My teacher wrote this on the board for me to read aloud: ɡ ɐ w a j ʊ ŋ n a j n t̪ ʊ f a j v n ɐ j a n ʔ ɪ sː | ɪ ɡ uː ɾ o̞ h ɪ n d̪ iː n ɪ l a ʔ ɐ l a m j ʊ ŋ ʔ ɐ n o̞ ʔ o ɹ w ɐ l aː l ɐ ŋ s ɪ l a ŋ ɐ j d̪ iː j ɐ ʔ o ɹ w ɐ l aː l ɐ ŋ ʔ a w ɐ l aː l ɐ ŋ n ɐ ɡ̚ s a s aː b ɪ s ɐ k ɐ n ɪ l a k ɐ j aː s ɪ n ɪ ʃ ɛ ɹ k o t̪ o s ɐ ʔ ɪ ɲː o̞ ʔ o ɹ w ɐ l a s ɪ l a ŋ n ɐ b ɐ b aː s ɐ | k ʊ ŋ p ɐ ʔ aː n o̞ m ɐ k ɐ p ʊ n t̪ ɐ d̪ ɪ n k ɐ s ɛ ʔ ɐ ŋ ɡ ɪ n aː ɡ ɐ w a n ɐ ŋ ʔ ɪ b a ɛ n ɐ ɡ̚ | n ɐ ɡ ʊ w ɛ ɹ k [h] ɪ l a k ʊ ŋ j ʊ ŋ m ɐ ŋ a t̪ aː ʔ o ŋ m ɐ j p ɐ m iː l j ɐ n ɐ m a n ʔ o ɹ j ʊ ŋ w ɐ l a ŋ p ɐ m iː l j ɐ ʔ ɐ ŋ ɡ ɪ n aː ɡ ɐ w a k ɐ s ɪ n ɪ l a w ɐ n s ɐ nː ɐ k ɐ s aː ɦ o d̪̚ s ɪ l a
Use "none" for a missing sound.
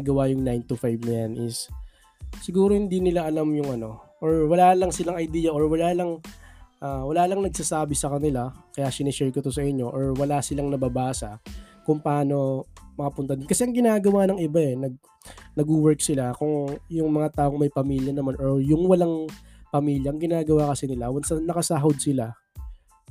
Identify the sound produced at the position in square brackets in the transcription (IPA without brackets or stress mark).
s